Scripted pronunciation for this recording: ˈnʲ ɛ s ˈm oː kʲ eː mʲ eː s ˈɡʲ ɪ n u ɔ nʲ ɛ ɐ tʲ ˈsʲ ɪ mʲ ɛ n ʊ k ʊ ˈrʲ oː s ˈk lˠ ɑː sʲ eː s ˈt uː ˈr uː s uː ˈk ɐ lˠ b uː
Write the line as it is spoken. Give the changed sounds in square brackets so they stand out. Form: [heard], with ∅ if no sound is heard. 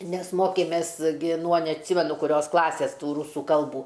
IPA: ˈnʲ ɛ s ˈm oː kʲ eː mʲ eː s ˈɡʲ ɪ n u ɔ nʲ ɛ ɐ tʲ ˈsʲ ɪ mʲ ɛ n ʊ k ʊ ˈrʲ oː s ˈk lˠ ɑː sʲ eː s ˈt uː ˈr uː s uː ˈk ɐ lˠ b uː